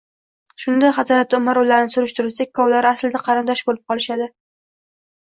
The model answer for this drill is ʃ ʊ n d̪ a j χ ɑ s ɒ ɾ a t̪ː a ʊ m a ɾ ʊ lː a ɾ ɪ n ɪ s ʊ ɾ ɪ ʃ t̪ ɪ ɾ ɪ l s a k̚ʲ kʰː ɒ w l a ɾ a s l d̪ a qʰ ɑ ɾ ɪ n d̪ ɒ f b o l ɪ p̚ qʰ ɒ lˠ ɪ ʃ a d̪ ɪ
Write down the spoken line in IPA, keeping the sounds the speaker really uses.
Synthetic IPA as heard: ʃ ʊ n d̪ a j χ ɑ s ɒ ɾ a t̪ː a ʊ m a ɾ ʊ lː a ɾ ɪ n ɪ s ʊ ɾ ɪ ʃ t̪ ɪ ɾ ɪ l s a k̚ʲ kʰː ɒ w l a ɾ a s l d̪ a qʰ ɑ ɾ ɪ n d̪ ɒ ʃ b o l ɪ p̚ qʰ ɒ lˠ ɪ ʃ a d̪ ɪ